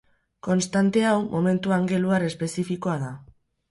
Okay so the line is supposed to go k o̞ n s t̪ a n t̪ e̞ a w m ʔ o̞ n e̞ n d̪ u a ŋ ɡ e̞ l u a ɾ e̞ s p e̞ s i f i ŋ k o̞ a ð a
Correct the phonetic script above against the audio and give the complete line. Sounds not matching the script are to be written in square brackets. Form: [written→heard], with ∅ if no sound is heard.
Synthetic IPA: k o̞ n s t̪ a n t̪ e̞ a w m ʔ o̞ [n→m] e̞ n [d̪→t̪] u a ŋ ɡ e̞ l u a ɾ e̞ s p e̞ s i f i [ŋ→∅] k o̞ a ð a